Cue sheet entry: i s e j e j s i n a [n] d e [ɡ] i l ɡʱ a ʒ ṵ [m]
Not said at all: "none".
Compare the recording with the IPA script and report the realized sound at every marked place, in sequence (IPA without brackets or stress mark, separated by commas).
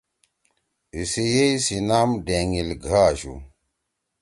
m, ŋ, none